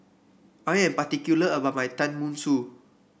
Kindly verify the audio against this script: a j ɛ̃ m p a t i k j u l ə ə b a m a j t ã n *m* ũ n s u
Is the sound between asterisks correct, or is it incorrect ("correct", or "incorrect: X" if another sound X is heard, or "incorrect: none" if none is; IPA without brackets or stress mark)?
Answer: correct